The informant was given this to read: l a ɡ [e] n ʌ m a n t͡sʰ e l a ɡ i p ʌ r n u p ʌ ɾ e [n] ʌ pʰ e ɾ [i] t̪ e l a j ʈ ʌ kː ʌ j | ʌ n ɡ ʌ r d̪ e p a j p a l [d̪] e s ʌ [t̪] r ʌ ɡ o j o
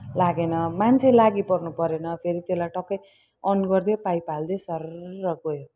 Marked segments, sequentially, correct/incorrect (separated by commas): correct, correct, correct, correct, incorrect